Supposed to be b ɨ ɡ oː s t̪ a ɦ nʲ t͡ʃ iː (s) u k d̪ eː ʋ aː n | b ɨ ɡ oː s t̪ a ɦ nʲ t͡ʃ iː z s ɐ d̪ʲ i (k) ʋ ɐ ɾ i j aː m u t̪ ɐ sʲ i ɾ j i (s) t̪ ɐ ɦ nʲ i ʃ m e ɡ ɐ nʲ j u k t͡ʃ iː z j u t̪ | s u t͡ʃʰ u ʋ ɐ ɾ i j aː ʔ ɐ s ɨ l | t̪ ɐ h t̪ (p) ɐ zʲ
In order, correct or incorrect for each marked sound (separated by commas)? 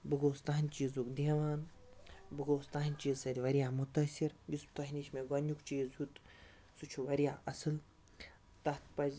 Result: incorrect, incorrect, correct, correct